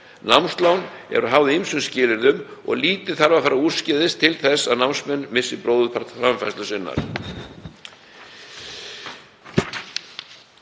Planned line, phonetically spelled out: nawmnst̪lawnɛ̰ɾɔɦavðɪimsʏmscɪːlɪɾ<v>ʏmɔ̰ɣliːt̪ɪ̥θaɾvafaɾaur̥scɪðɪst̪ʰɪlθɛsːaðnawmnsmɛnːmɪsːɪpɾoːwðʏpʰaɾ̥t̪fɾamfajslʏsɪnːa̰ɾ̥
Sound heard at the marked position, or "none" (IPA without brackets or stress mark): ð